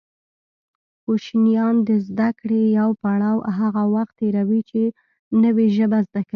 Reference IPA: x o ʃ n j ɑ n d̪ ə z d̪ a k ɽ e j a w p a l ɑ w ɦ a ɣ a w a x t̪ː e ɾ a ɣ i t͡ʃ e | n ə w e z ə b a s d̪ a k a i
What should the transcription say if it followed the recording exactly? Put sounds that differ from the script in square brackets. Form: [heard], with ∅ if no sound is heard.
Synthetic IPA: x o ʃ n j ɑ n d̪ ə z d̪ a k ɽ e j a w p a [ɽ] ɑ w ɦ a ɣ a w a x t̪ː e ɾ a [w] i t͡ʃ e | n ə w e [ʒ] ə b a [z] d̪ a k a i